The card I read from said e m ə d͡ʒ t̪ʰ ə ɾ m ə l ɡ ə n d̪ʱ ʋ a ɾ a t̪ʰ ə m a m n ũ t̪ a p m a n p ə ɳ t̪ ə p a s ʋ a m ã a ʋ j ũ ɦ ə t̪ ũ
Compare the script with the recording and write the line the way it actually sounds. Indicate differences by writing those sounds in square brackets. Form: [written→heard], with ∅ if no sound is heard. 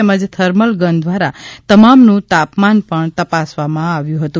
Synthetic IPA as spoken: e m ə d͡ʒ t̪ʰ ə ɾ m ə l ɡ ə n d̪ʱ ʋ a ɾ a [t̪ʰ→t̪] ə m a m n ũ t̪ a p m a n p ə ɳ t̪ ə p a s ʋ a m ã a ʋ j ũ ɦ ə t̪ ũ